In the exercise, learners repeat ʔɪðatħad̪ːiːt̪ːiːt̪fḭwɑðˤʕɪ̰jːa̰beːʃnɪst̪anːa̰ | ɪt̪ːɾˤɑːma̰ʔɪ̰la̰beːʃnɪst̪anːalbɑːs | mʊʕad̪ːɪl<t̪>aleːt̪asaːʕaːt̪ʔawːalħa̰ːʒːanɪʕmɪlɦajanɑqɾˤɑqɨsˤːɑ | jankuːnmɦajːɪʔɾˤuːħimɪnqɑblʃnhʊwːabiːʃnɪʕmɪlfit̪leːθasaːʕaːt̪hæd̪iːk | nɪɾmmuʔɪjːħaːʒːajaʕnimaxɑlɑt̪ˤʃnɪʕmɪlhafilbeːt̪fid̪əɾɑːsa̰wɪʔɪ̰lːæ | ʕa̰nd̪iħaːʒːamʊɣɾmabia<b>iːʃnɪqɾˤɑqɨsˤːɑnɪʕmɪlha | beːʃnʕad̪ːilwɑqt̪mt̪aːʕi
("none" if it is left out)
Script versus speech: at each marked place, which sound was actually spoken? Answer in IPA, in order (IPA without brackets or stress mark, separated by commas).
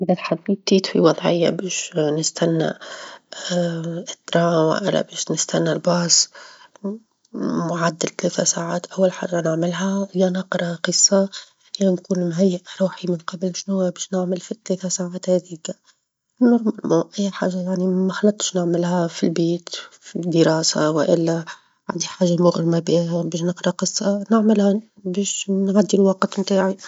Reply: t̪, b